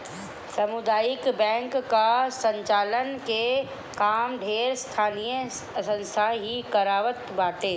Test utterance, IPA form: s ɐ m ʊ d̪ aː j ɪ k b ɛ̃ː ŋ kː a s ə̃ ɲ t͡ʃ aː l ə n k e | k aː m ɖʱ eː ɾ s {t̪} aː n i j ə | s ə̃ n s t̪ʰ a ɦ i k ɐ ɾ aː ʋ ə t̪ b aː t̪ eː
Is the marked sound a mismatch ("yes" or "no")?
yes